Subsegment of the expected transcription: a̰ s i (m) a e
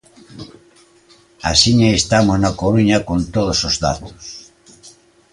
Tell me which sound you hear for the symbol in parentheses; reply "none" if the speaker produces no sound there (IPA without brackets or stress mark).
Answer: ɲ